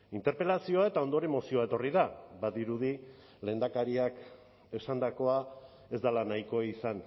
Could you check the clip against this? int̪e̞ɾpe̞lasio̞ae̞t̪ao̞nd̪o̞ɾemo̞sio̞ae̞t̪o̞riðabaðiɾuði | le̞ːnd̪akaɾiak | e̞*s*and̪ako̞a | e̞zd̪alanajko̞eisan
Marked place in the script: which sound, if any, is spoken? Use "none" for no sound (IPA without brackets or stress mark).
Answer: s